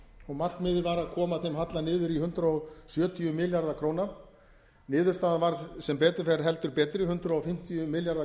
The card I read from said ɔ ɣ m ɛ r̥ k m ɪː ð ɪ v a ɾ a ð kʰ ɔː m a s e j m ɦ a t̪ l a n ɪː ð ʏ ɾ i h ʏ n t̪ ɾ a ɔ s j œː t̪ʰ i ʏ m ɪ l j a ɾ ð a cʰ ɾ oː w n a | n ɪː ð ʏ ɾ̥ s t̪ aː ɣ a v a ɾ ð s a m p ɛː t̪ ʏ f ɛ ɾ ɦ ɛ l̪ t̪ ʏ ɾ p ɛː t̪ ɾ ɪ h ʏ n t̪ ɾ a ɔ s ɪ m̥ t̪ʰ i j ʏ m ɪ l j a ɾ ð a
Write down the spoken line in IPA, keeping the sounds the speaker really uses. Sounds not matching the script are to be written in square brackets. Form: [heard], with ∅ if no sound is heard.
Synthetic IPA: ɔ ɣ m [a] r̥ k m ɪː ð ɪ v a ɾ a ð kʰ ɔː m a [θ] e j m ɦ a t̪ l a n ɪː ð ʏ ɾ i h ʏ n t̪ ɾ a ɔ s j œː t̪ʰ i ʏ m ɪ l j a ɾ ð a [kʰ] ɾ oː w n a | n ɪː ð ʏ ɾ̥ s t̪ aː [ð] a v a ɾ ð s [ɛ] m p ɛː t̪ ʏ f ɛ ɾ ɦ ɛ l̪ t̪ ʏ ɾ p ɛː t̪ ɾ ɪ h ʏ n t̪ ɾ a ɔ [f] ɪ m̥ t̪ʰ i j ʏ m ɪ l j a ɾ ð a